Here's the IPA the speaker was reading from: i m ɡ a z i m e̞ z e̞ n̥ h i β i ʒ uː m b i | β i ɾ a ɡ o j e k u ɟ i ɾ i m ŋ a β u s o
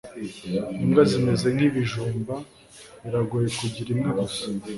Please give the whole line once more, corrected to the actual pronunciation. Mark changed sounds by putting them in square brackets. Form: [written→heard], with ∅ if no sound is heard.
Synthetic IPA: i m ɡ a z i m e̞ z e̞ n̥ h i β i ʒ uː m b [i→a] | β i ɾ a ɡ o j e k u ɟ i ɾ i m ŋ a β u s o